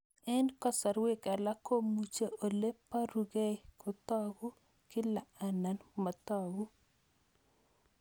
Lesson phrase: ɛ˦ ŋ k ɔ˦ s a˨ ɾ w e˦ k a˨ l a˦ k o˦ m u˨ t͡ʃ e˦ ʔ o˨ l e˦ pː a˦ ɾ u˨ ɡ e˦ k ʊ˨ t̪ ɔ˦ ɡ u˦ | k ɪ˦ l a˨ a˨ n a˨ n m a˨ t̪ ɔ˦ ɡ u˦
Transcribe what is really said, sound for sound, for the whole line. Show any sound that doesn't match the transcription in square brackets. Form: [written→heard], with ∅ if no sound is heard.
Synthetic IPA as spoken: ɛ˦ [ŋ→n] k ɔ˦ s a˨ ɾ w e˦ k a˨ l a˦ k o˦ m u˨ t͡ʃ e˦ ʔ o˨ l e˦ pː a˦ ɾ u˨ ɡ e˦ k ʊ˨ t̪ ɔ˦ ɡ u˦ | k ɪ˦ l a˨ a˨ n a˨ n m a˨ t̪ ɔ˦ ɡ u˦